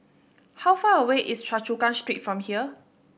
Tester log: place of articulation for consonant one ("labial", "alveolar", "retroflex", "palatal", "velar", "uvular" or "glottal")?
glottal